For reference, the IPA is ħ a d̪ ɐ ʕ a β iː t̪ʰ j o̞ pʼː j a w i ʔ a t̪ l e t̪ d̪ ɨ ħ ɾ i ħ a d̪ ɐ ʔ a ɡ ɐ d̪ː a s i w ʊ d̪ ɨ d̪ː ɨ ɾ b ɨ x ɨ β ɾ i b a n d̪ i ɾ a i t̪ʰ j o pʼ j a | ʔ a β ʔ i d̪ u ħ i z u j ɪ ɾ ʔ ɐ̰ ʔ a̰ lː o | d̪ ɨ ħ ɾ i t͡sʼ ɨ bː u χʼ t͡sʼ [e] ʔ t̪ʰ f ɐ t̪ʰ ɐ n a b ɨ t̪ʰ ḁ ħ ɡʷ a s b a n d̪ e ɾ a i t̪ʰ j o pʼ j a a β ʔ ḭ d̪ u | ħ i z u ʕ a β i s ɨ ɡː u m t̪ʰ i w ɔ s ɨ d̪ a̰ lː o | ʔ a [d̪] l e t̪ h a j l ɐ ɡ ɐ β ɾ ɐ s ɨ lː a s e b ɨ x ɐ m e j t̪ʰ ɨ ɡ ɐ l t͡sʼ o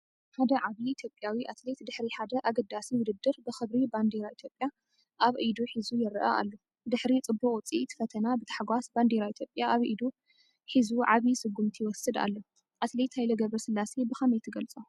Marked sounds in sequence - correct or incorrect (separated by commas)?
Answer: incorrect, incorrect